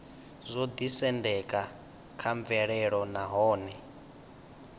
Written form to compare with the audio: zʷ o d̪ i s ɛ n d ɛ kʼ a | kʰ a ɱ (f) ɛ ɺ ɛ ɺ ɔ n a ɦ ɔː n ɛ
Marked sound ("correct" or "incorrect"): incorrect